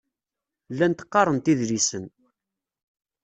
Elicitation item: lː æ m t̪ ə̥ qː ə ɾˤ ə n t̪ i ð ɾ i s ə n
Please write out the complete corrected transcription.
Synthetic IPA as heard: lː æ n t̪ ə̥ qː ɑ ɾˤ ə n t̪ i ð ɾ i s ə n